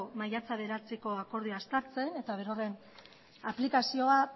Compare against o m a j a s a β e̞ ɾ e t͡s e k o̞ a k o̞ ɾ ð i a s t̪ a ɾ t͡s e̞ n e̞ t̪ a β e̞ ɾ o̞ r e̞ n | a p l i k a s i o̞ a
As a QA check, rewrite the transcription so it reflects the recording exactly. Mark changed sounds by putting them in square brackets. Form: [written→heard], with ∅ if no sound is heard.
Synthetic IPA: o m a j a [s→t͡s] a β e̞ ɾ [e→a] t͡s e k o̞ a k o̞ ɾ ð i a s t̪ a ɾ t͡s e̞ n e̞ t̪ a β e̞ ɾ o̞ r e̞ n | a p l i k a s i o̞ a